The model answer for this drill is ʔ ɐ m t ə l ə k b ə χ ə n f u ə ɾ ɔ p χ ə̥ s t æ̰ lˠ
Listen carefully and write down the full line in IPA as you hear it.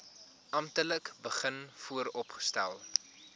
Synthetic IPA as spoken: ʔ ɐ m t ə l ə k b ə χ ə n f u ə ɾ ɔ p χ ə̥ s t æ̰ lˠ